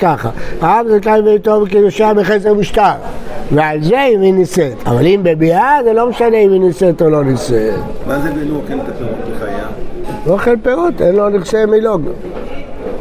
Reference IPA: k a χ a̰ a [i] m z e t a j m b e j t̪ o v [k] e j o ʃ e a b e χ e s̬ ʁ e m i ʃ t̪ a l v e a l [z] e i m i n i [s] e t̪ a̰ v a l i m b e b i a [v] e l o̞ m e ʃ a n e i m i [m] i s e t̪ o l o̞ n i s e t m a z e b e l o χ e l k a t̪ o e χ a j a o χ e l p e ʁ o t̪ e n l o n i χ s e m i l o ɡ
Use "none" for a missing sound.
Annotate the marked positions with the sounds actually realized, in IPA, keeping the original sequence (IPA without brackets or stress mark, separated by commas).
a, k, z, s, z, n